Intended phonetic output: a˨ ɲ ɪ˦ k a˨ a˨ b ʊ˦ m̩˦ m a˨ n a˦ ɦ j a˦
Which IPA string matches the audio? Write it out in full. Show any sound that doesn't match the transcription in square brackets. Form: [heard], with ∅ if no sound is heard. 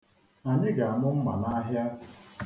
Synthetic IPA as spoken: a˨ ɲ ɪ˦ [ɡ] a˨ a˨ [m] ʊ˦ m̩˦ m a˨ n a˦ ɦ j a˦

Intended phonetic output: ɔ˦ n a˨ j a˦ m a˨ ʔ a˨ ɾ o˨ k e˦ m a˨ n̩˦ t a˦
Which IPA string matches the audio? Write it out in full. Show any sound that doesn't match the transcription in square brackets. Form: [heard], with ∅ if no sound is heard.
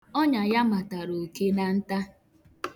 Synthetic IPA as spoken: ɔ˦ [ɲ] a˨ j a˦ m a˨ [t] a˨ ɾ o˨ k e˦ [n] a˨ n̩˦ t a˦

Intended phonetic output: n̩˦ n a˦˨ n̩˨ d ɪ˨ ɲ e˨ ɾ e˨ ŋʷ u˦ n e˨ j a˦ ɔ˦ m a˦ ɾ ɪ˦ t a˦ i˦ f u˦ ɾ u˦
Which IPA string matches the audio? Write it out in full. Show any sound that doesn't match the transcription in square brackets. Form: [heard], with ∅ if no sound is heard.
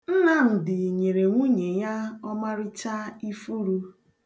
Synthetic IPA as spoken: n̩˦ n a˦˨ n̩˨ d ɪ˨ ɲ e˨ ɾ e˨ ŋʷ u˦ [ɲ] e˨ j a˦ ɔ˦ m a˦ ɾ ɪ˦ [t͡ʃ] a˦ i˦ f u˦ ɾ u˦

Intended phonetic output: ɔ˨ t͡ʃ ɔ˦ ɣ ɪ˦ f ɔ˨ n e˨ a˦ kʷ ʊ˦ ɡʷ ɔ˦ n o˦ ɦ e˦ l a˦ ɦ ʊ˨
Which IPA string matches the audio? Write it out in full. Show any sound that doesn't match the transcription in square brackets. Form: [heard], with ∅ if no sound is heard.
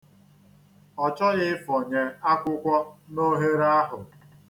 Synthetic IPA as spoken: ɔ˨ t͡ʃ ɔ˦ ɣ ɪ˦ f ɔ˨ [ɲ] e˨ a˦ kʷ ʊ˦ [kʷ] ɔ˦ n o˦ ɦ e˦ [ɾ] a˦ ɦ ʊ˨

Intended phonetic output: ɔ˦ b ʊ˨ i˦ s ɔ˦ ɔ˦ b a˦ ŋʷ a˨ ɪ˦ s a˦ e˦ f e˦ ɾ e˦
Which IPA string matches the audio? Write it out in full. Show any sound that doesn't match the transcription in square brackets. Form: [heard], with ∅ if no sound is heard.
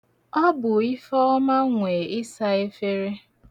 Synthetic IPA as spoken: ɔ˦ b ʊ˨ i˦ [f] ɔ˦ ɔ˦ [m] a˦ ŋʷ [e˨] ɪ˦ s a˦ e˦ f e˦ ɾ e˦

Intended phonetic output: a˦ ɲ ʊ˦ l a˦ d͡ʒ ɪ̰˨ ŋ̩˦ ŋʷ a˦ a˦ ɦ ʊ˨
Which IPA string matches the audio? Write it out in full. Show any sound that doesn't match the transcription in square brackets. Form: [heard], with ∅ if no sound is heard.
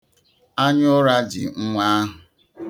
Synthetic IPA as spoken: a˦ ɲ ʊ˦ [ɾ] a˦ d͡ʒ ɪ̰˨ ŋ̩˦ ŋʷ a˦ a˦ ɦ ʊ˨

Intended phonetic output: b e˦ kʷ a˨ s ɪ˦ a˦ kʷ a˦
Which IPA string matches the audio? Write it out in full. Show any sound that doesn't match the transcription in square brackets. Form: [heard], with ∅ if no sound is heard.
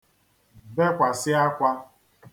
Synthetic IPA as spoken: b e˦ kʷ a˨ s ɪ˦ a˦ kʷ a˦

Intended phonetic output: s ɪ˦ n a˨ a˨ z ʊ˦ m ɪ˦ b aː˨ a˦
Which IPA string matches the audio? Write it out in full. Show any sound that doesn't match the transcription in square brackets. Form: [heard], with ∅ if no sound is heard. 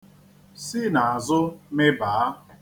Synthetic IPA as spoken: s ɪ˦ n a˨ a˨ z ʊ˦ m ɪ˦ b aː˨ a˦

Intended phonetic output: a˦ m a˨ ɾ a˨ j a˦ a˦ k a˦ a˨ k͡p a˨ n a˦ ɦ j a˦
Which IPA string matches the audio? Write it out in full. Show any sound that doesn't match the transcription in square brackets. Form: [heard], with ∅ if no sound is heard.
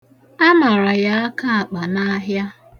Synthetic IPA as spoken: a˦ m a˨ ɾ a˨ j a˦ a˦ k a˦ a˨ k͡p a˨ n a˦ ɦ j a˦

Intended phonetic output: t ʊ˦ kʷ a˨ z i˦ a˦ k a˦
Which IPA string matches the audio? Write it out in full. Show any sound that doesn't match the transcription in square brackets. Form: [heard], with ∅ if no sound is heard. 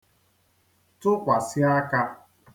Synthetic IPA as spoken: t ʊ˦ kʷ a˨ [s] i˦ a˦ k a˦

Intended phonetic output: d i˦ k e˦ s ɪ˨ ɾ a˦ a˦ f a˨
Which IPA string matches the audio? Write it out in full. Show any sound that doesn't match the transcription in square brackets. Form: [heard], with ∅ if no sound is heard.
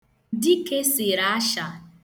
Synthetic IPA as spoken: d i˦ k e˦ s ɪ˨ ɾ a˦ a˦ [ʃ] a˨

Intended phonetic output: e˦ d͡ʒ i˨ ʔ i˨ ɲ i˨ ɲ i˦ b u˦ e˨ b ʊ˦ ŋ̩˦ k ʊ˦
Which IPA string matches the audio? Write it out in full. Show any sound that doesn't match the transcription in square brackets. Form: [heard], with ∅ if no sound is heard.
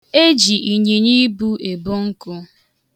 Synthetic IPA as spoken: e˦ d͡ʒ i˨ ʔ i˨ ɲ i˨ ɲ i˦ b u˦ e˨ b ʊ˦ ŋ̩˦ k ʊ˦

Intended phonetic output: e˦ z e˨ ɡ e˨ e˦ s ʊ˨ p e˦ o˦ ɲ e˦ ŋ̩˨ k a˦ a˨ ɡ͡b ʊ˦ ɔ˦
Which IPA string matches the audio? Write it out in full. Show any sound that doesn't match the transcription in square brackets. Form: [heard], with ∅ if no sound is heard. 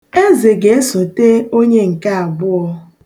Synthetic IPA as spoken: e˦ z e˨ ɡ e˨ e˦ s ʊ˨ [t] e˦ o˦ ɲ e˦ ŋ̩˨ k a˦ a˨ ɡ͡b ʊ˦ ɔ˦

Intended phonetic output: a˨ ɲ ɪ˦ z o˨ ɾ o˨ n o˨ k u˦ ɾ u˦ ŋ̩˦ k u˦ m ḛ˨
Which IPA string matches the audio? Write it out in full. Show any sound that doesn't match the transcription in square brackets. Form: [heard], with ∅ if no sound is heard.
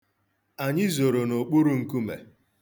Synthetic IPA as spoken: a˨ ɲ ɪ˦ z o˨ ɾ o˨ n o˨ [k͡p] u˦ ɾ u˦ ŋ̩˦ k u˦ m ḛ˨

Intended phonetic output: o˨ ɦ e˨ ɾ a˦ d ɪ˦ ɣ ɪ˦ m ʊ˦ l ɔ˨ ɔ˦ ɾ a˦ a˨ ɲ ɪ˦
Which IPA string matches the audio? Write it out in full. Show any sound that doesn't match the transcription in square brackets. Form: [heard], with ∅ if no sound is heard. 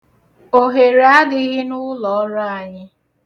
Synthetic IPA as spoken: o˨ ɦ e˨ ɾ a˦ d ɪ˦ ɣ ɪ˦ [n] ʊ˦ l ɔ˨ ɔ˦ ɾ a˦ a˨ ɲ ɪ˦

